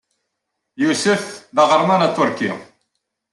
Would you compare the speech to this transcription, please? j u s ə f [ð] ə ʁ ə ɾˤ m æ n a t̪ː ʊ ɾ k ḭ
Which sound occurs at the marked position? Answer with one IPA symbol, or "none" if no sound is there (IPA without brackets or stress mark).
ð